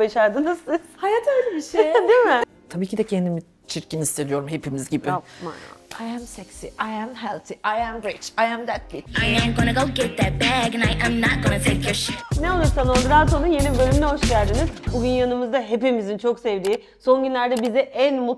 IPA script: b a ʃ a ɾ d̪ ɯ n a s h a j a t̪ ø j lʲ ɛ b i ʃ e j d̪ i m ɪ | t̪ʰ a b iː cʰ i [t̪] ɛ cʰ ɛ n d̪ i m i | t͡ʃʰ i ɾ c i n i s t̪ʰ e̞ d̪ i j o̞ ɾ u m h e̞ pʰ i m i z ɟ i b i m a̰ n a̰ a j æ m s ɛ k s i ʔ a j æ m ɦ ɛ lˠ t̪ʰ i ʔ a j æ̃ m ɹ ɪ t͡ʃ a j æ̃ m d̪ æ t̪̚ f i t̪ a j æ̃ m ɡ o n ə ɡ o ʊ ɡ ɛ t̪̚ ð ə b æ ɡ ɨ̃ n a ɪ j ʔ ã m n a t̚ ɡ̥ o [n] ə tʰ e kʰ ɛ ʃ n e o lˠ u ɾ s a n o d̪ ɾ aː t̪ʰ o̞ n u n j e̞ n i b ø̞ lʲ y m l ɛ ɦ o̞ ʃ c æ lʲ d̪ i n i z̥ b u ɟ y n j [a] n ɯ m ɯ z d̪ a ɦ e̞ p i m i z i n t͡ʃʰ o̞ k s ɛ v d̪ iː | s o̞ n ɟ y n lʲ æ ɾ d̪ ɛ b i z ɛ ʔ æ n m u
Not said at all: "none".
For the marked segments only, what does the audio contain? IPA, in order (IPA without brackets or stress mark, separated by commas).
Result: d̪, n, a